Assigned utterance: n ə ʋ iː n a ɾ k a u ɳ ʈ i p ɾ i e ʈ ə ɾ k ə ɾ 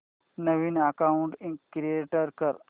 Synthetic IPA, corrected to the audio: n ə ʋ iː n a k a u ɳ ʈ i k ɾ i e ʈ ə ɾ k ə ɾ